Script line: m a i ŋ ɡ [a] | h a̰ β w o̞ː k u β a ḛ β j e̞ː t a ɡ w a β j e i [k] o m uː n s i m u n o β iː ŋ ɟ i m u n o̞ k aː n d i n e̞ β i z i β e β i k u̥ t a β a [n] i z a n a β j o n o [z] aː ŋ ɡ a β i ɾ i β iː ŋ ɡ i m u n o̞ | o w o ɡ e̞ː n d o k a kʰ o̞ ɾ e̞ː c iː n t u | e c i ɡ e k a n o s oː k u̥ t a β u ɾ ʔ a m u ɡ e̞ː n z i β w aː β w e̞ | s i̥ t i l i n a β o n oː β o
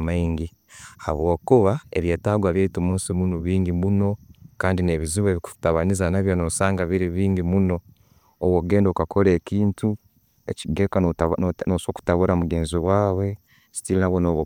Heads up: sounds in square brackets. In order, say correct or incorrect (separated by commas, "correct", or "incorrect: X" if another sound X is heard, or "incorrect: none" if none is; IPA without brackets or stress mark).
incorrect: i, incorrect: t, correct, incorrect: s